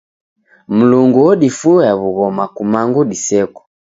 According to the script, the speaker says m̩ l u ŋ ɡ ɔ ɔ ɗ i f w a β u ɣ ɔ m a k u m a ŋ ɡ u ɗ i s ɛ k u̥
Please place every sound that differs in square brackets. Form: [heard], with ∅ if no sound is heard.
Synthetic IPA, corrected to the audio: m̩ l u ŋ ɡ [u] ɔ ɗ i f [u] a β u ɣ ɔ m a k u m a ŋ ɡ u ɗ i s ɛ k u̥